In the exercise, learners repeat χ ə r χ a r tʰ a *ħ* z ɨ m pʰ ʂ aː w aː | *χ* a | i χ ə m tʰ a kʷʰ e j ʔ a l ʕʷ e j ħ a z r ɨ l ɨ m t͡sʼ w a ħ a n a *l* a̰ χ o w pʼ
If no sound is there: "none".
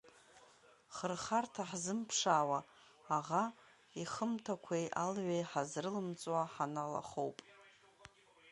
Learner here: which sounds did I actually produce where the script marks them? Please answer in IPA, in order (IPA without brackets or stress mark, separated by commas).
ħ, ʁ, l